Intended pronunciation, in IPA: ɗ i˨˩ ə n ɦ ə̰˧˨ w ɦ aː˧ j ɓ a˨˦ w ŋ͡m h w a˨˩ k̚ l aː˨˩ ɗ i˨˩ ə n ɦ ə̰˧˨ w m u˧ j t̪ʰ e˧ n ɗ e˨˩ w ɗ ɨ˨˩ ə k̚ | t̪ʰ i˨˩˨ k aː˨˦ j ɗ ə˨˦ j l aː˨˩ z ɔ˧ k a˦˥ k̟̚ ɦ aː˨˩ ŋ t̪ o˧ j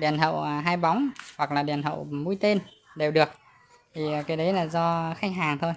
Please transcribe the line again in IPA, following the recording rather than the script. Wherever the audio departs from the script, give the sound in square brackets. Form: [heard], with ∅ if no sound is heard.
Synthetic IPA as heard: ɗ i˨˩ ə n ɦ ə̰˧˨ w ɦ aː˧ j ɓ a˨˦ w ŋ͡m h w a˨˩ k̚ l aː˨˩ ɗ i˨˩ ə n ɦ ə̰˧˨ w m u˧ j [t̪] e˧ n ɗ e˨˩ w ɗ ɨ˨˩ ə k̚ | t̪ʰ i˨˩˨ k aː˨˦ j ɗ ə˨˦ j l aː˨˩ z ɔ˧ [x] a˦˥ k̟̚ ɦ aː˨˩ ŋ [t̪ʰ] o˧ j